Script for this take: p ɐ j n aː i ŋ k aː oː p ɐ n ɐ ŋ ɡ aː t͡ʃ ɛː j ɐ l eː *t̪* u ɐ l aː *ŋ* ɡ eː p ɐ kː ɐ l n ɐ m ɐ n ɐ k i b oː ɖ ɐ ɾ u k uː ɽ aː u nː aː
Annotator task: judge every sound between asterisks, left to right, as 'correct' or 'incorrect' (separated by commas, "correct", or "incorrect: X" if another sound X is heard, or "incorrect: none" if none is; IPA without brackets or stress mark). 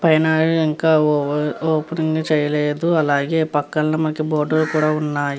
incorrect: d̪, incorrect: none